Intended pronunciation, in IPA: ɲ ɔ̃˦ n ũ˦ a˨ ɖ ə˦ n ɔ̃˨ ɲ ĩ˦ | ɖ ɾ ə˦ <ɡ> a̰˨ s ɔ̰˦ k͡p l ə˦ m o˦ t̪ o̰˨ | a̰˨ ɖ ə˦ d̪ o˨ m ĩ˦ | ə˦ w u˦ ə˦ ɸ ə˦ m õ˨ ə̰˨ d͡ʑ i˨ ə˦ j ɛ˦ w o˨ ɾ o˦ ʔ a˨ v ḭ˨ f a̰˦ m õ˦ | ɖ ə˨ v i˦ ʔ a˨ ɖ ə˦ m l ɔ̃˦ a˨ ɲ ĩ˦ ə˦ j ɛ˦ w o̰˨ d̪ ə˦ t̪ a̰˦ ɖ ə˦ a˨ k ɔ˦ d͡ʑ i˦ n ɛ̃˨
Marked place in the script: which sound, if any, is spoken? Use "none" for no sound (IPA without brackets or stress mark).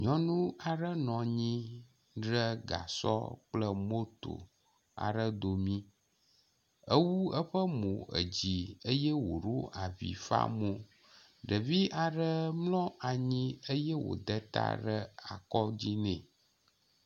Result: ɡ